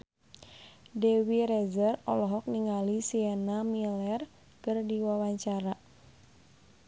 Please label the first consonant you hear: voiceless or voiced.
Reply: voiced